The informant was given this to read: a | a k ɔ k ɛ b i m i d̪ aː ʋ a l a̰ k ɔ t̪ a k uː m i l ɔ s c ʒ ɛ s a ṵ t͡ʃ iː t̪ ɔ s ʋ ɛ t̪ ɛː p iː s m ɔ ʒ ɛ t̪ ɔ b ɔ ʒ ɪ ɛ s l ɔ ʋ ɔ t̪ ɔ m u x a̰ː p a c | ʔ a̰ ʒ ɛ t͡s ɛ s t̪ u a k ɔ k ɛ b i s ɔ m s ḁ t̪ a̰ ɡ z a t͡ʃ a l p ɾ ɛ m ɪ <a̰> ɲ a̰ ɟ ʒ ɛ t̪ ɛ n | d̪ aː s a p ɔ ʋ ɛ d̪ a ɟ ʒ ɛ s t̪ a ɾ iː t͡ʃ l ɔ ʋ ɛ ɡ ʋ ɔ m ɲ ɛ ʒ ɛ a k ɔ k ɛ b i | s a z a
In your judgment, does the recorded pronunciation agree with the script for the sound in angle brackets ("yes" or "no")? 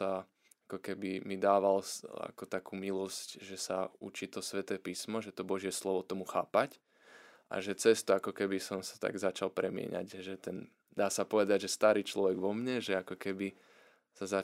no